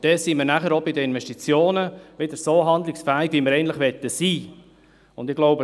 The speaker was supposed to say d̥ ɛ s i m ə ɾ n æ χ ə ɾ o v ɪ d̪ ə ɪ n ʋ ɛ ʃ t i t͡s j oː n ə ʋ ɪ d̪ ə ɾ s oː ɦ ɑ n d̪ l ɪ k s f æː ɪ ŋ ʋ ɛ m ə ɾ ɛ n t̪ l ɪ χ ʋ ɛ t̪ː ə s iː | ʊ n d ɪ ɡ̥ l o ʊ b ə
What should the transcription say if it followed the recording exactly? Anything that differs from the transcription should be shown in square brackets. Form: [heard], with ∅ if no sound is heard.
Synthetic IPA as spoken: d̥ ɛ s i m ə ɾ n æ χ ə ɾ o [b] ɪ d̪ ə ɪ n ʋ ɛ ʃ t i t͡s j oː n ə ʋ ɪ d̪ ə ɾ s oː ɦ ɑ n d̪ l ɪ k s f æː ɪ [ɡ] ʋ [i] m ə ɾ ɛ n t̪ l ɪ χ ʋ ɛ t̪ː ə s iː | ʊ n d ɪ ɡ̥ l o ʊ b ə

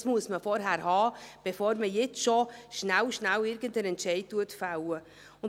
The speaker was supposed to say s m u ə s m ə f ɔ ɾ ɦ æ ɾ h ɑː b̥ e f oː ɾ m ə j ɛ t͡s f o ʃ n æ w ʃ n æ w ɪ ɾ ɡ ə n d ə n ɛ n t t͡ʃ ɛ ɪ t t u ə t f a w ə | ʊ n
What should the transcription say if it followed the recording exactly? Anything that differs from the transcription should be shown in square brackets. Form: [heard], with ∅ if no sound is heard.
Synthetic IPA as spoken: s m u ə s m ə f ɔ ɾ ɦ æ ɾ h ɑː b̥ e f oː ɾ m ə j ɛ t͡s [ʃ] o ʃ n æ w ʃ n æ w ɪ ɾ ɡ ə n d ə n ɛ n t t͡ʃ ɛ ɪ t t u ə t f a w ə | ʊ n

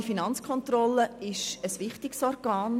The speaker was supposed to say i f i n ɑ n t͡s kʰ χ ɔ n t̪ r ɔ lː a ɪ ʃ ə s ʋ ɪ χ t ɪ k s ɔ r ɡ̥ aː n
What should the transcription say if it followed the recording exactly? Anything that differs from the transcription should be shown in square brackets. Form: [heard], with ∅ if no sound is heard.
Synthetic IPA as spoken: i f i n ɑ n t͡s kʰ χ ɔ n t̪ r ɔ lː [ə] ɪ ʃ ə s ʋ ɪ χ t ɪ k s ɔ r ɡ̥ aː n

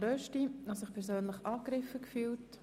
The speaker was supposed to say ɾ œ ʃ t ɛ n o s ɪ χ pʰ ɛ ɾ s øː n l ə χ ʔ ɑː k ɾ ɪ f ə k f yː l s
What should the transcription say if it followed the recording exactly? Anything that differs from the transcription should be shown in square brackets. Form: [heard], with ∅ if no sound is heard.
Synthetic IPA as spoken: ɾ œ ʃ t [i] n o s ɪ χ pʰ ɛ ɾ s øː n l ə χ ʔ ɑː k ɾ ɪ f ə k f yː l [t]

